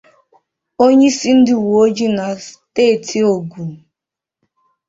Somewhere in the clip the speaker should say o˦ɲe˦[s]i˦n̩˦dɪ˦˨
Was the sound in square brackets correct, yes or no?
yes